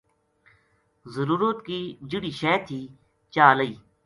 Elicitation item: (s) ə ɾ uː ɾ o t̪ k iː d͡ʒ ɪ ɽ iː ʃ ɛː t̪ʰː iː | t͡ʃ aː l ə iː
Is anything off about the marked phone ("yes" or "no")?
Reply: yes